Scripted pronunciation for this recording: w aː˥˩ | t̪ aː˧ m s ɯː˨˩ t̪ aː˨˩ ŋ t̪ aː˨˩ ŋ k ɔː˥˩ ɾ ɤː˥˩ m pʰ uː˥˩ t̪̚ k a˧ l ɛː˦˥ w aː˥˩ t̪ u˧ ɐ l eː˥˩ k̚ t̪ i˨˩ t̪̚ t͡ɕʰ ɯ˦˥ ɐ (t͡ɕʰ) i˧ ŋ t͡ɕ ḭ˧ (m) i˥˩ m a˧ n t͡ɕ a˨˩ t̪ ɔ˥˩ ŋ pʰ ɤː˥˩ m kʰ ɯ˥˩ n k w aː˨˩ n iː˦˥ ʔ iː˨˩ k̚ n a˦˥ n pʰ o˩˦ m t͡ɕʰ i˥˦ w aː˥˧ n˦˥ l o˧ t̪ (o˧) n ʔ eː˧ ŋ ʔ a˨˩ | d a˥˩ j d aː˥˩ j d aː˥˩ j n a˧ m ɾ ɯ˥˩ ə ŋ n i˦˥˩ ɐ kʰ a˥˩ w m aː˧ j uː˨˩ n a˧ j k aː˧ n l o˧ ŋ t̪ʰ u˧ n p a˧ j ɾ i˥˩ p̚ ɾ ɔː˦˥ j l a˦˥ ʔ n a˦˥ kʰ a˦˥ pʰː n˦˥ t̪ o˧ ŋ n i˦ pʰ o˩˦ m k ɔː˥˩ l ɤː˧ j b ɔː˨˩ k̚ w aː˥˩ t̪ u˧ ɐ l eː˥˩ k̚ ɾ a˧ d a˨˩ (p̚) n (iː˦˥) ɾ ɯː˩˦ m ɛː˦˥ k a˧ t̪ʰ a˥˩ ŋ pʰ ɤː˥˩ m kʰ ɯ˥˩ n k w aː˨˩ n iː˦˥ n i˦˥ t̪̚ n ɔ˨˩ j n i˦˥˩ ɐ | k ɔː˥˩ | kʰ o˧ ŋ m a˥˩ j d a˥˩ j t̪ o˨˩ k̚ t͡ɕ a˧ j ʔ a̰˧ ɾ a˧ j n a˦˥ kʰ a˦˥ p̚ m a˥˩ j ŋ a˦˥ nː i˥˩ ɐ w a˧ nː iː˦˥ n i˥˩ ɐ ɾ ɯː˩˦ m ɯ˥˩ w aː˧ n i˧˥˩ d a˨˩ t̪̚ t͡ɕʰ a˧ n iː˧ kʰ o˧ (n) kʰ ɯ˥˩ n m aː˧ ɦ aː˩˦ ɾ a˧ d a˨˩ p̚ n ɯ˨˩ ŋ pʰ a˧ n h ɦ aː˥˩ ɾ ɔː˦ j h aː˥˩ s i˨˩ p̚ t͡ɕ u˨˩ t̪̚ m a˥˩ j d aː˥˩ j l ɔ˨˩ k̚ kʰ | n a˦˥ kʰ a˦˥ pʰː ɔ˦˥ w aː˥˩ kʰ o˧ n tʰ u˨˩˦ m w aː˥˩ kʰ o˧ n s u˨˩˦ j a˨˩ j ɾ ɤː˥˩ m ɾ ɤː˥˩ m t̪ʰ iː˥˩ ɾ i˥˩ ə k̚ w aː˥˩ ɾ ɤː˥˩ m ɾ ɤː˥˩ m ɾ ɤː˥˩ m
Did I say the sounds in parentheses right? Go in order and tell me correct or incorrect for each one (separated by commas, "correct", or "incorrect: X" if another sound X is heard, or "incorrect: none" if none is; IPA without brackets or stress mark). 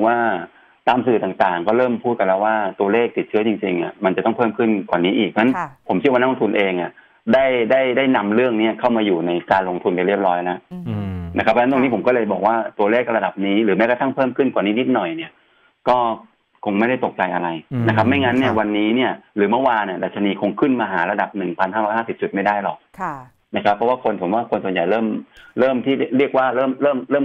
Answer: incorrect: t͡ɕ, incorrect: ŋ, incorrect: u˧, correct, correct, incorrect: ŋ